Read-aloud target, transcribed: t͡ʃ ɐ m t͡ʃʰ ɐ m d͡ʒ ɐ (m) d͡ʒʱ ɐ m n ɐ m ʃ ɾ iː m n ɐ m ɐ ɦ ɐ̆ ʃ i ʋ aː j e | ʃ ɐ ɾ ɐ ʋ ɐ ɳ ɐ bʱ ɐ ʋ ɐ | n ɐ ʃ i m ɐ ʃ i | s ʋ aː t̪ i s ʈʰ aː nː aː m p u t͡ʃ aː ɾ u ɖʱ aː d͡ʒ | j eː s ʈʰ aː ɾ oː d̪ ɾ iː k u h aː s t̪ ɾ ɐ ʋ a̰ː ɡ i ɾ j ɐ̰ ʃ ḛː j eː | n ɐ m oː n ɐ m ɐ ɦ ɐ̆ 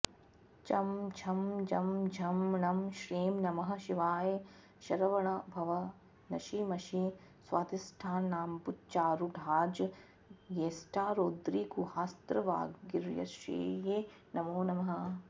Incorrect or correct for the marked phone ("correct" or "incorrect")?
correct